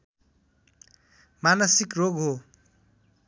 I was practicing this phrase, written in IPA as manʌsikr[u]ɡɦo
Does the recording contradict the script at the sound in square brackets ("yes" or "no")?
yes